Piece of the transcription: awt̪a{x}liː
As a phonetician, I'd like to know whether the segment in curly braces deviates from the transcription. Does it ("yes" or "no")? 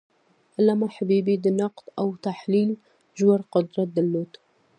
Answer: yes